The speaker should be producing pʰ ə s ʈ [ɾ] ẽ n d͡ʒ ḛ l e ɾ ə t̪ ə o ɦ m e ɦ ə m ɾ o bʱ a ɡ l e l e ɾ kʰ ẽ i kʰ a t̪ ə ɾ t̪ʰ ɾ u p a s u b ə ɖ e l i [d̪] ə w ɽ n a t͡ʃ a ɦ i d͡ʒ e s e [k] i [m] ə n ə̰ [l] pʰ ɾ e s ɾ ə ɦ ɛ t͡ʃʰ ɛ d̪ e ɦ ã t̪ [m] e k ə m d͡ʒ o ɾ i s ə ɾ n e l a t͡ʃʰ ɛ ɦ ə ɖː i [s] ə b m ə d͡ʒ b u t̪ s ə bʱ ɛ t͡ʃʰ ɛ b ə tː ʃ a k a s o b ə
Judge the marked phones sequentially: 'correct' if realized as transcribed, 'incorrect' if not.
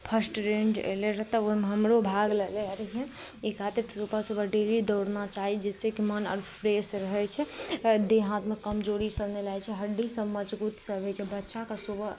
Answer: correct, correct, correct, correct, incorrect: ɾ, correct, correct

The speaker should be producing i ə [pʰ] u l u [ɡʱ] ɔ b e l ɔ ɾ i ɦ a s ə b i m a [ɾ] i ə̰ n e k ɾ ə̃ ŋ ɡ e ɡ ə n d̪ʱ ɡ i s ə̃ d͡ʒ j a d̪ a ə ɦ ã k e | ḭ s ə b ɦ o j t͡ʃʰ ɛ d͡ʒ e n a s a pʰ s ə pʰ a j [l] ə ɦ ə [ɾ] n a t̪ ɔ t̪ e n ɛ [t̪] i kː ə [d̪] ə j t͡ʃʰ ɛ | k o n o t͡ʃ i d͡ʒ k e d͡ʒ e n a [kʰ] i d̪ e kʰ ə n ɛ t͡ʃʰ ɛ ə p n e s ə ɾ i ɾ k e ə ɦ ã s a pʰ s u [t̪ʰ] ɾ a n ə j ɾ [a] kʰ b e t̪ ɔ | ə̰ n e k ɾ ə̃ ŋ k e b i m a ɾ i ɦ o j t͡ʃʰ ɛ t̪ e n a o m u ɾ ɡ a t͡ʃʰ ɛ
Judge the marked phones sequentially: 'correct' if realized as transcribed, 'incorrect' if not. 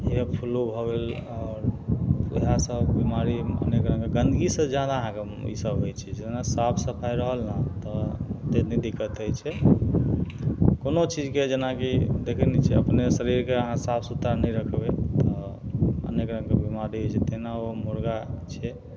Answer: correct, incorrect: bʱ, correct, incorrect: ɾ, incorrect: l, incorrect: d̪, incorrect: t̪, incorrect: k, incorrect: t̪, incorrect: ə

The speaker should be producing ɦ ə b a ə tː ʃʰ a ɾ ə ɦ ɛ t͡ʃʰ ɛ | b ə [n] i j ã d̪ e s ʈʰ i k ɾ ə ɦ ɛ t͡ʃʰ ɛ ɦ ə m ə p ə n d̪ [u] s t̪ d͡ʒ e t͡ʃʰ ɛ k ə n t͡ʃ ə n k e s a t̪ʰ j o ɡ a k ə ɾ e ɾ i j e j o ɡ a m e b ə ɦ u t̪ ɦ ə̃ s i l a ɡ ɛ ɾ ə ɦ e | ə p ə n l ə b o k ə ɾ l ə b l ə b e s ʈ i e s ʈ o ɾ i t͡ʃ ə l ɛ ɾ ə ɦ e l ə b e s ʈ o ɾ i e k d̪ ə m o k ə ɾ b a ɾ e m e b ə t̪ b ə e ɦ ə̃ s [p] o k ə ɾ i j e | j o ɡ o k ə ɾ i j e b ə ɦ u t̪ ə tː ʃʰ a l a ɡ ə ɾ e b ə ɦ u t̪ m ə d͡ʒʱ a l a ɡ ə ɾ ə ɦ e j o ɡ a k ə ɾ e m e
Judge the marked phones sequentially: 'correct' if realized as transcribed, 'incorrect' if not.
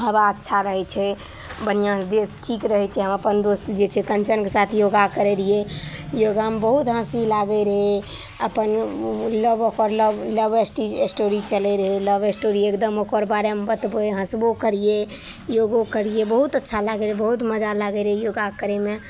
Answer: correct, incorrect: o, incorrect: b

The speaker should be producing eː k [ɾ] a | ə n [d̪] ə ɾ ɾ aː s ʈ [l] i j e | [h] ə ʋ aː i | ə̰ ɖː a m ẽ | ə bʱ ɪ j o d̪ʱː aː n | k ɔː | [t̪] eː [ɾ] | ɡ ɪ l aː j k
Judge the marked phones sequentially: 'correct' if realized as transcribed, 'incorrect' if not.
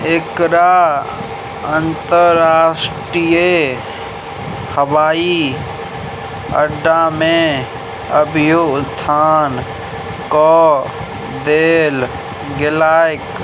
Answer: correct, incorrect: t̪, incorrect: ɾ, correct, incorrect: d̪, incorrect: l

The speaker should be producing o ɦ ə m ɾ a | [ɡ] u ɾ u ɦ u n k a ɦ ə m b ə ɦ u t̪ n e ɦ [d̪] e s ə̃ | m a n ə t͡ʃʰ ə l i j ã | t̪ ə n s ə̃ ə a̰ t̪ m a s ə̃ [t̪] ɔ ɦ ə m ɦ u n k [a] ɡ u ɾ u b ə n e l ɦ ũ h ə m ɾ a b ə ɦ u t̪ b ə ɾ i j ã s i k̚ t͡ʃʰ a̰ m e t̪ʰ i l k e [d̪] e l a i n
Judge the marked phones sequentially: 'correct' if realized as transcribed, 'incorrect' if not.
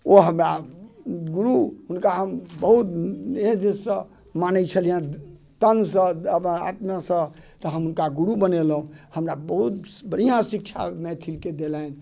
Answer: correct, correct, correct, correct, correct

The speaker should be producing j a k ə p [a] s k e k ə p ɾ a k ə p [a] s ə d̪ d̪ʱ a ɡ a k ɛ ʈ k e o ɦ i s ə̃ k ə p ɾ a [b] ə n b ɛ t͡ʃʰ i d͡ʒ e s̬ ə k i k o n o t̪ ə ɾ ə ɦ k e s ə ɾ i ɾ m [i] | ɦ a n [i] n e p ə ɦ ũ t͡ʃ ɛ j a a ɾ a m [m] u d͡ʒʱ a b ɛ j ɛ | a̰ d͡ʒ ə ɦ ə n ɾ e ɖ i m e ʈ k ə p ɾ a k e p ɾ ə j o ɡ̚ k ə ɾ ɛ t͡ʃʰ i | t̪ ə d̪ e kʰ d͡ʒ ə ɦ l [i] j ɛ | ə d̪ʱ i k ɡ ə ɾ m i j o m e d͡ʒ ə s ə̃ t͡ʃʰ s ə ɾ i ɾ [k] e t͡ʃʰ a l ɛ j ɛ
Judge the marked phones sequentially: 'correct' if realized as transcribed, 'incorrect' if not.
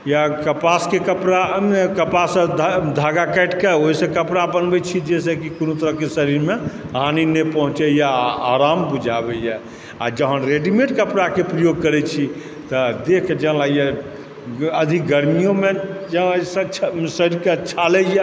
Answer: correct, correct, correct, incorrect: e, correct, incorrect: b, incorrect: a, correct

